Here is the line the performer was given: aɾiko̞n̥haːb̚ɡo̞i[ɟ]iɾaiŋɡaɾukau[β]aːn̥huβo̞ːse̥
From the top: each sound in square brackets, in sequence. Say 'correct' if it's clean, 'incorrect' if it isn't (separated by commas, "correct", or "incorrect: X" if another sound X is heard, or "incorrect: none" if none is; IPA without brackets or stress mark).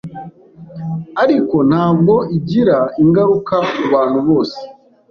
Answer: correct, correct